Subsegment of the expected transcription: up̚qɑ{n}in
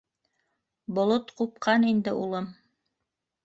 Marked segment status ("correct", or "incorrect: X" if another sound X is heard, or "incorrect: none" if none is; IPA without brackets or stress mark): correct